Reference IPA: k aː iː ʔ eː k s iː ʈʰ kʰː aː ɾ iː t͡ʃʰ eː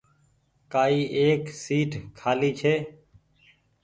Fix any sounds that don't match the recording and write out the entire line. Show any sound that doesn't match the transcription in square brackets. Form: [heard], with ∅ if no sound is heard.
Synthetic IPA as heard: k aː iː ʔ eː k s iː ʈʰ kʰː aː [l] iː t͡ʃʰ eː